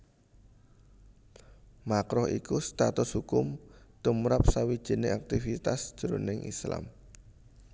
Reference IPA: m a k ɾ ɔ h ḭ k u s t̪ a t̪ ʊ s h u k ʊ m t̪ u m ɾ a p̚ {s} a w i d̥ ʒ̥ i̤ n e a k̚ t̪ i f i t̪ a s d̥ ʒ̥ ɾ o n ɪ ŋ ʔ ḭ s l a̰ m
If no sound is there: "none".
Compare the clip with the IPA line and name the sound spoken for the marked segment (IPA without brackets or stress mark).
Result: s